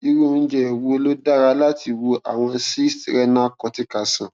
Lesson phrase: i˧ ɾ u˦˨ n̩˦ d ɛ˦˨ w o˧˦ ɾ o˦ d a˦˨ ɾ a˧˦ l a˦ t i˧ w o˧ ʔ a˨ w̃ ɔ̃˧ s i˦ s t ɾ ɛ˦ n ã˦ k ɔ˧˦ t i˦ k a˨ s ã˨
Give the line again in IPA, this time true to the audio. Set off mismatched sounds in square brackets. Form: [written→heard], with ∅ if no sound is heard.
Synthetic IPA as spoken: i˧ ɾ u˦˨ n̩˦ [d→d͡ʒ] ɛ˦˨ w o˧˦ [ɾ→l] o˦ d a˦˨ ɾ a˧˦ l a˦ t i˧ w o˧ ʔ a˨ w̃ ɔ̃˧ s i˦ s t ɾ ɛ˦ n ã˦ k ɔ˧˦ t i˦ k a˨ s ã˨